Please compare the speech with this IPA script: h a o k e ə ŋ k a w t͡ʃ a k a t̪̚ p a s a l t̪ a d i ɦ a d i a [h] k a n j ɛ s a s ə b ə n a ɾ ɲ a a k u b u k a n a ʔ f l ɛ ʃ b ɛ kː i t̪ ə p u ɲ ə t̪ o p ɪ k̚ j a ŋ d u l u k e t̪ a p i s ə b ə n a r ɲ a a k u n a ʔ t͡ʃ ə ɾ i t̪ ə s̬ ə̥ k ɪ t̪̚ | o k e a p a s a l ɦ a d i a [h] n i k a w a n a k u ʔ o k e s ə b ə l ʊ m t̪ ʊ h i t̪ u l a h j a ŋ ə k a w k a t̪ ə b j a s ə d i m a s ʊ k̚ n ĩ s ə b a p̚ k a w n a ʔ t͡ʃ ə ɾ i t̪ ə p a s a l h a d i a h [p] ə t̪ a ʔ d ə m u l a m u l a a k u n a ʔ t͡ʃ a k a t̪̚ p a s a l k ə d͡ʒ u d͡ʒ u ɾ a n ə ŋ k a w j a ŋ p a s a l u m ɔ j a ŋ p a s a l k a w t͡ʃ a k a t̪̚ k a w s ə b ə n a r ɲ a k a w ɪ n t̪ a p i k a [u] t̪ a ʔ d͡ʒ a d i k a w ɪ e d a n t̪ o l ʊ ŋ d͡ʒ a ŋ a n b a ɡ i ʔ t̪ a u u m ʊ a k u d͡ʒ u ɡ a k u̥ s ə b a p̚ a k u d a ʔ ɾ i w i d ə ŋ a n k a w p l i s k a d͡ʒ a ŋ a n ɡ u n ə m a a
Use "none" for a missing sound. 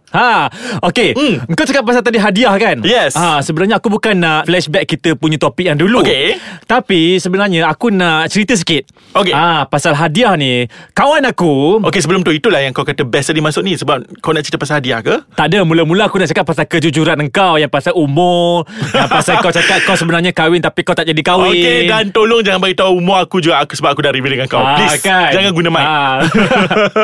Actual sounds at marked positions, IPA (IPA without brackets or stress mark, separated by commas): h, h, k, w